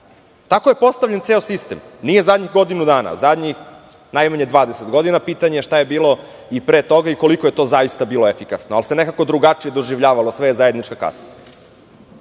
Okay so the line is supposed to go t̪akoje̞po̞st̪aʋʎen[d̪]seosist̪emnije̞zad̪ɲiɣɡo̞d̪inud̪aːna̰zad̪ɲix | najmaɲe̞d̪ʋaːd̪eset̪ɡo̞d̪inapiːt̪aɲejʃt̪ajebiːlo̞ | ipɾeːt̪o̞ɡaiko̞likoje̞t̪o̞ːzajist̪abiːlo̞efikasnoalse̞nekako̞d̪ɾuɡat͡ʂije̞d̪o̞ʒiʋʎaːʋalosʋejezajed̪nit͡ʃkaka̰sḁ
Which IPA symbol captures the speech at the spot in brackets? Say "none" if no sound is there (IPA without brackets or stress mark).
t̪